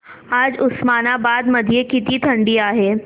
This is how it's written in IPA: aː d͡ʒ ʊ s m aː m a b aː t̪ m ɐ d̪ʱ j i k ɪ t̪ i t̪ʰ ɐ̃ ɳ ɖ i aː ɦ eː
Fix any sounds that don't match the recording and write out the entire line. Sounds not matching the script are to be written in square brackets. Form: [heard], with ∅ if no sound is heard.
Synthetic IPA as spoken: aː d͡ʒ ʊ s m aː [n] a b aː [d̪] m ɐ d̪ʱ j [e] k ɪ t̪ i t̪ʰ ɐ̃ ɳ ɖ i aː ɦ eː